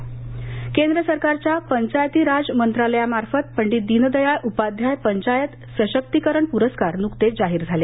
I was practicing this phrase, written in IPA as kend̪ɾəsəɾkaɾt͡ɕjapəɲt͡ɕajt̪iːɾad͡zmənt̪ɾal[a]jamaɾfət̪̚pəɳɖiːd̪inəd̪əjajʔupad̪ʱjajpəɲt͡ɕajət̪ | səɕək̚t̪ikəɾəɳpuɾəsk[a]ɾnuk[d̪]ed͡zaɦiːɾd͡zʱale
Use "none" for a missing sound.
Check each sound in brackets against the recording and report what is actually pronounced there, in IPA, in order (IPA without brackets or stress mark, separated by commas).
ə, a, t̪